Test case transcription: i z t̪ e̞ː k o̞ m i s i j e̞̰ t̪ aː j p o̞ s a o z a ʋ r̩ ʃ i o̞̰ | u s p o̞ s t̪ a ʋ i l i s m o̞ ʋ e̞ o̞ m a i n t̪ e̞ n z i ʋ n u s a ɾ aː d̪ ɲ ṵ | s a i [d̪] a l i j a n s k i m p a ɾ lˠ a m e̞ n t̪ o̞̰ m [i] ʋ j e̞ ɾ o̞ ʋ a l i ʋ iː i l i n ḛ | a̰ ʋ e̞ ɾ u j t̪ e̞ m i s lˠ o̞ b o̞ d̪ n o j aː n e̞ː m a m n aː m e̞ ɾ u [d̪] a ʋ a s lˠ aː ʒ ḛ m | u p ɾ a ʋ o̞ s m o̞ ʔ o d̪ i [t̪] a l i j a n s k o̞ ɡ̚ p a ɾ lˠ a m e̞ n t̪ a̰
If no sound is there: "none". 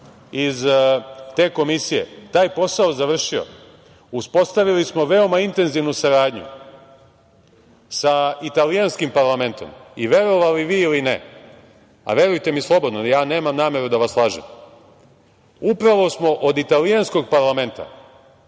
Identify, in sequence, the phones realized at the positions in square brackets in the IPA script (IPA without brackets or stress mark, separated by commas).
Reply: t̪, i, d̪, t̪